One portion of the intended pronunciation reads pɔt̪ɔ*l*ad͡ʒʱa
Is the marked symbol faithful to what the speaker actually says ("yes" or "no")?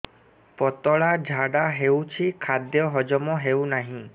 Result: no